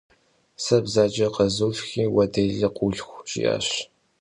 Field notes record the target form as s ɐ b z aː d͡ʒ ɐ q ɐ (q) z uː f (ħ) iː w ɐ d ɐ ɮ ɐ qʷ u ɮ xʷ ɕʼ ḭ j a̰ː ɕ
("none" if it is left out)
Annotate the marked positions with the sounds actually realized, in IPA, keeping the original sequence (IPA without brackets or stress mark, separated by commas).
none, x